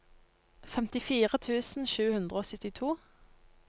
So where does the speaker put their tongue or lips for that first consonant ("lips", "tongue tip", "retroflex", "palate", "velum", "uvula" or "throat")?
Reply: lips